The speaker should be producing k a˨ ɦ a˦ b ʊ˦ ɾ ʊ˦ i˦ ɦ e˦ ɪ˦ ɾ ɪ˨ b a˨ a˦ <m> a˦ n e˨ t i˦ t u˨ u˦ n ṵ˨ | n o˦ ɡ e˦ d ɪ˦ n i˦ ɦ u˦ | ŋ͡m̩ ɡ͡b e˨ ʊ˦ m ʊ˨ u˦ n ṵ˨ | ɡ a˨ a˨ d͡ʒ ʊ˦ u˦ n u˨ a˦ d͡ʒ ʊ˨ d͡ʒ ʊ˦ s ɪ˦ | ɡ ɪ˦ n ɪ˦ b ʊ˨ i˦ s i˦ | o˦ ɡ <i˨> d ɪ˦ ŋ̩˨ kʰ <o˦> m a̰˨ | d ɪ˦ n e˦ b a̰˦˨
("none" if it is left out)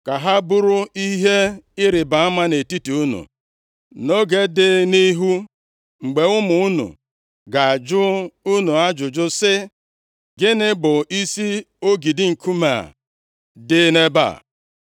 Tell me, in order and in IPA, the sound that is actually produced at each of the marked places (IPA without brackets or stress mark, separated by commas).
m, i˨, u˦